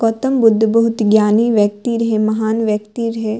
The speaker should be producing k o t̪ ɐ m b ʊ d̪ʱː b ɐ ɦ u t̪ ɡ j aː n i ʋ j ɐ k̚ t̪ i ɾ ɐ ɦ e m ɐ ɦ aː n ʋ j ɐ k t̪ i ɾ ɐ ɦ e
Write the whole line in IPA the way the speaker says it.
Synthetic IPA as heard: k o t̪ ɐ m b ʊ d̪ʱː b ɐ ɦ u t̪ ɡ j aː n i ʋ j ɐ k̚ t̪ i ɾ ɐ ɦ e m ɐ ɦ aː n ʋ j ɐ k t̪ i ɾ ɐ ɦ e